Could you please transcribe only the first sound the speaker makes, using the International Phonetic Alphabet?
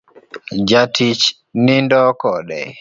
d͡ʒ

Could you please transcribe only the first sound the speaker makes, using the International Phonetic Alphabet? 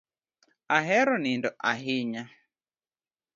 a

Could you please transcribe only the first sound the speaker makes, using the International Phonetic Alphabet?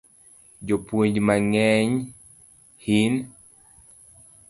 d͡ʒ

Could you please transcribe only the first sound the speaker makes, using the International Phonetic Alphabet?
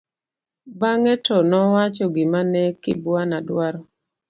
b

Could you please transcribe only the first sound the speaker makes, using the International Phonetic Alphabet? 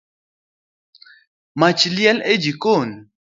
m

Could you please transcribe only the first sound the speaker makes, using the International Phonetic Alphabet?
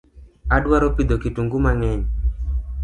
a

